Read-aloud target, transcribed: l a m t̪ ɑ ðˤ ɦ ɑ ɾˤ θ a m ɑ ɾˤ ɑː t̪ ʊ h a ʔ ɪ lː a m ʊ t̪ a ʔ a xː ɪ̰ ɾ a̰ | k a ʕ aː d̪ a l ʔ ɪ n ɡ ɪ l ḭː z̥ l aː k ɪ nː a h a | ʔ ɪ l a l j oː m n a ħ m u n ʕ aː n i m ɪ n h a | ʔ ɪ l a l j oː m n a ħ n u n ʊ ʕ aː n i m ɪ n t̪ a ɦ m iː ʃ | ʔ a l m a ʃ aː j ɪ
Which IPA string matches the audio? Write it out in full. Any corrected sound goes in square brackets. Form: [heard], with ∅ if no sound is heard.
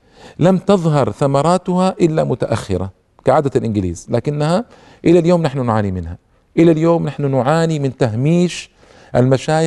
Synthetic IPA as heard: l a m t̪ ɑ ðˤ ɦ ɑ ɾˤ θ a m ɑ ɾˤ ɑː t̪ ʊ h a ʔ ɪ lː a m ʊ t̪ a ʔ a xː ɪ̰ ɾ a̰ | k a ʕ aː d̪ a l ʔ ɪ n ɡ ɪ l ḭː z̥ l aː k ɪ nː a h a | ʔ ɪ l a l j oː m n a ħ [n] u n ʕ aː n i m ɪ n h a | ʔ ɪ l a l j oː m n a ħ n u n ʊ ʕ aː n i m ɪ n t̪ a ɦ m iː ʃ | ʔ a l m a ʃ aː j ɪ